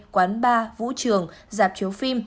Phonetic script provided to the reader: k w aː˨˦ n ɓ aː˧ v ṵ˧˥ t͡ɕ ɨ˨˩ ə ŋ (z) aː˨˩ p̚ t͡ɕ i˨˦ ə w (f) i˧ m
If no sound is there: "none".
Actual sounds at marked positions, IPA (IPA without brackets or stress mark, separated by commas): z, f